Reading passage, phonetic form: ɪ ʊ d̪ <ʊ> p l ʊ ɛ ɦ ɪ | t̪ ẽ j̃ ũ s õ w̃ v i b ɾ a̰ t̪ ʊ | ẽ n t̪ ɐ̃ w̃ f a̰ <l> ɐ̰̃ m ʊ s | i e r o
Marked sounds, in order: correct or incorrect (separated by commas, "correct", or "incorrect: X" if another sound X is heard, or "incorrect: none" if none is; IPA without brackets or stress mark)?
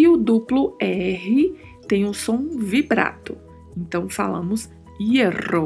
incorrect: u, correct